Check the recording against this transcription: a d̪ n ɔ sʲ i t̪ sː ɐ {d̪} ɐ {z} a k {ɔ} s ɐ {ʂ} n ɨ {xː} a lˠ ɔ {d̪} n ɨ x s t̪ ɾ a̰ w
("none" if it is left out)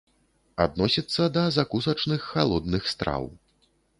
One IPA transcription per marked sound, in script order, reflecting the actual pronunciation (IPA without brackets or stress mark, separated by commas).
d̪, z, u, t͡ʂ, xː, d̪